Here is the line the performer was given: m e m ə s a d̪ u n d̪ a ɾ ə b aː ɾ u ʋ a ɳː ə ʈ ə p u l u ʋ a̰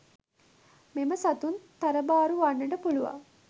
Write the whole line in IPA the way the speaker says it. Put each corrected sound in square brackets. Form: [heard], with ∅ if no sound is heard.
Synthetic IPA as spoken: m e m ə s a [t̪] u n [t̪] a ɾ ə b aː ɾ u ʋ a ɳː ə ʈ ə p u l u ʋ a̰